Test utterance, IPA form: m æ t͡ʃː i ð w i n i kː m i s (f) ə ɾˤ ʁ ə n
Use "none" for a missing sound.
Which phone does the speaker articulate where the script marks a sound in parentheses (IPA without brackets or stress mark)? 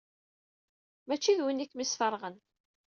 f